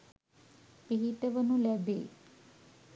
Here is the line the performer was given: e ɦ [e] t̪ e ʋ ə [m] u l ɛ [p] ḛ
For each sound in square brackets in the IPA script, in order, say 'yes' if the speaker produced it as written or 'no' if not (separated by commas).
no, no, no